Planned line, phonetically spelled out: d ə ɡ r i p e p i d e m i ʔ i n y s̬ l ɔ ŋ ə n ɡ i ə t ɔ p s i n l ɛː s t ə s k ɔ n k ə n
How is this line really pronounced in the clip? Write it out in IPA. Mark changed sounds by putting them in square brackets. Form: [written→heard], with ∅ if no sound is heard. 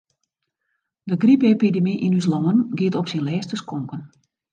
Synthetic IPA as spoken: d ə ɡ r i p e p i d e m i ʔ i n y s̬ l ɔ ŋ ə n ɡ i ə t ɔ p s i n l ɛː s t ə s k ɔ [n→ŋ] k ə n